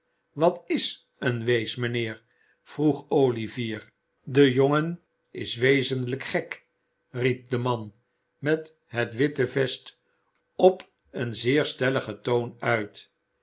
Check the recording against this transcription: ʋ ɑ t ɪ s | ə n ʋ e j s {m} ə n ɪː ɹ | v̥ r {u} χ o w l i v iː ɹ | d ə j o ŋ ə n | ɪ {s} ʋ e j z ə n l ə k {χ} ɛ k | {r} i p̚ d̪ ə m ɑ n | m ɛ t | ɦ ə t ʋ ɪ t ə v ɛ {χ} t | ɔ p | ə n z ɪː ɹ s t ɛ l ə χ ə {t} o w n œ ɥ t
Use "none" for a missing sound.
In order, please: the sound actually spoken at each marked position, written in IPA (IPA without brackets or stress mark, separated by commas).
m, u, s, χ, r, s, t